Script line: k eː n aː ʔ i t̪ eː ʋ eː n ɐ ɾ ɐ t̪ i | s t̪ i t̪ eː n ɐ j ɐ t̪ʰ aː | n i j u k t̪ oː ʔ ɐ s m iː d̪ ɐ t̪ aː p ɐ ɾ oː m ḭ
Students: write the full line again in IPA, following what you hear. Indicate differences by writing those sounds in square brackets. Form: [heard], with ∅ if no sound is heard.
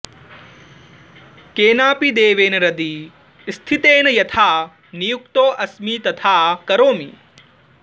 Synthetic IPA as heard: k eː n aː [p] i [d̪] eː ʋ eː n ɐ ɾ ɐ [d̪] i | s [t̪ʰ] i t̪ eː n ɐ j ɐ t̪ʰ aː | n i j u k t̪ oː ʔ ɐ s m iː [t̪] ɐ [t̪ʰ] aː [k] ɐ ɾ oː m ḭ